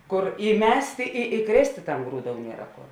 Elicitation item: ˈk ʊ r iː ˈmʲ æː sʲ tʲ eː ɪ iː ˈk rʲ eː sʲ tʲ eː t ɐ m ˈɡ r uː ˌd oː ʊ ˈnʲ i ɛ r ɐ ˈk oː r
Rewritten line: ˈk ʊ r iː ˈmʲ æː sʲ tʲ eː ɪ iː ˈk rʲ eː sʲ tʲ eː t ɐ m ˈɡ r uː ˌd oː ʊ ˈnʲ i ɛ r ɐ ˈk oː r